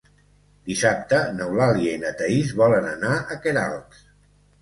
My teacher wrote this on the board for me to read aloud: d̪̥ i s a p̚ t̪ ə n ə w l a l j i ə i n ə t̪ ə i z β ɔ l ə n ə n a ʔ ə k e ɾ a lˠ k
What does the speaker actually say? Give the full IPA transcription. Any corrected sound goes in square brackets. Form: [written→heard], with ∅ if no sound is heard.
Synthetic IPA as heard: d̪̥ i s a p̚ t̪ ə n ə w l a l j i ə i n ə t̪ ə i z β ɔ l ə n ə n a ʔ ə k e ɾ a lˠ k